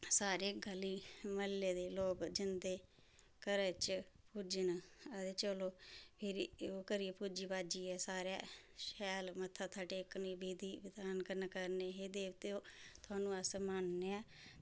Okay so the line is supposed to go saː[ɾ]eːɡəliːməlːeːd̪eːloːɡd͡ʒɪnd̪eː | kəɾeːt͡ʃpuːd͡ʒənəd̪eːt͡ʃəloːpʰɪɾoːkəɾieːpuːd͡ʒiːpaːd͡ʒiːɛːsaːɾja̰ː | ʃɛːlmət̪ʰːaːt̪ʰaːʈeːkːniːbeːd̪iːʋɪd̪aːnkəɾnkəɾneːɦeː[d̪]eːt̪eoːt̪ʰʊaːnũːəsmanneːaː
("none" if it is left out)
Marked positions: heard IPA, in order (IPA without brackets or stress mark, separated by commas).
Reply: ɾ, d̪